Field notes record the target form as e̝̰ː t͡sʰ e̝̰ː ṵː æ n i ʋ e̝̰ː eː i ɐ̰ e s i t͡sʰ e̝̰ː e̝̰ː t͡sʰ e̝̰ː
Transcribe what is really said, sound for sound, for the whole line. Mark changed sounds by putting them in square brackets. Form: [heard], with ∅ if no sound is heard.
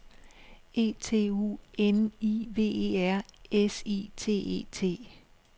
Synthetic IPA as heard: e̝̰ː t͡sʰ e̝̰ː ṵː [e] n i ʋ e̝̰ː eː [æ] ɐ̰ e s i t͡sʰ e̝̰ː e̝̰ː t͡sʰ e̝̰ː